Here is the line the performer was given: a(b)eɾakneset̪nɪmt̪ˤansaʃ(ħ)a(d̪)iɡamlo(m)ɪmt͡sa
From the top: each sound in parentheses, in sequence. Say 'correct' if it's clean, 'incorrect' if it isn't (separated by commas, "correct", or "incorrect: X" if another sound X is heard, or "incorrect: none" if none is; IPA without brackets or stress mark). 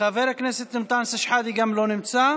incorrect: v, correct, correct, incorrect: n